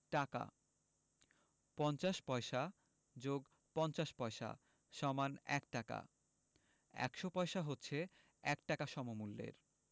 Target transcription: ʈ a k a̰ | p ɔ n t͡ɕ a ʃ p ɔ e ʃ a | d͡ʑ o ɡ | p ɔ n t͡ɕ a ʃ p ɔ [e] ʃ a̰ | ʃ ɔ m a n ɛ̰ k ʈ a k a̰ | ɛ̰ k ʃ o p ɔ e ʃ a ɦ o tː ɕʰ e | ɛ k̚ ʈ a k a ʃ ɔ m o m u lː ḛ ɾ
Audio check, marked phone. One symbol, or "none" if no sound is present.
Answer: e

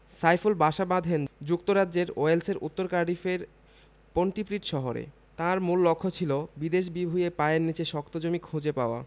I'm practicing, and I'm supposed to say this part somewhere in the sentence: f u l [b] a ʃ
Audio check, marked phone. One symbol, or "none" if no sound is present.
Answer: b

